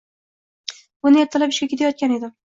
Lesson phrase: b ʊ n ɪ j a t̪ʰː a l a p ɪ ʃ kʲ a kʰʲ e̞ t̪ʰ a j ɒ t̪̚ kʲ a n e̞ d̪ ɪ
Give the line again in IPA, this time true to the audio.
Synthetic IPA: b ʊ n ɪ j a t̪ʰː a l a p ɪ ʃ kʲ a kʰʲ e̞ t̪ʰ a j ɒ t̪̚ kʲ a n e̞ d̪ ɪ